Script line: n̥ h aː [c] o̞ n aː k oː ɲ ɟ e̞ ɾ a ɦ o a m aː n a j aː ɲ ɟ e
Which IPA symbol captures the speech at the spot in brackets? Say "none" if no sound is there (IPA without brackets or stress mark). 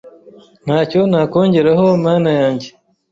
c